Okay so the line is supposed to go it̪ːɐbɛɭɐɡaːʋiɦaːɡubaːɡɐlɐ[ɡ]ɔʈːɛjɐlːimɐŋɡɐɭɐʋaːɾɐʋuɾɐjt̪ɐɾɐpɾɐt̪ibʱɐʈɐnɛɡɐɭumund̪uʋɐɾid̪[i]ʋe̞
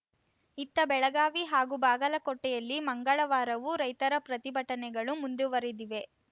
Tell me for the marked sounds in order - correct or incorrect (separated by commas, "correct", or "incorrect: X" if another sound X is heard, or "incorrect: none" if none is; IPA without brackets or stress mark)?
incorrect: k, correct